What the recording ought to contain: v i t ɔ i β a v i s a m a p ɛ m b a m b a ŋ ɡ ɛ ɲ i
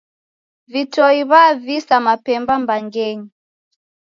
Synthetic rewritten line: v i t ɔ i β a v i s a m a p ɛ m b a m b a ŋ ɡ ɛ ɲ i